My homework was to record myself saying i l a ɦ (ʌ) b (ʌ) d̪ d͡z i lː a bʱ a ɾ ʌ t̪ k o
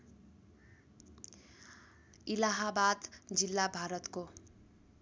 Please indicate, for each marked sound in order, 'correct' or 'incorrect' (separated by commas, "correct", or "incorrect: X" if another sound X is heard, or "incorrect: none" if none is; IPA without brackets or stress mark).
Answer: incorrect: a, incorrect: a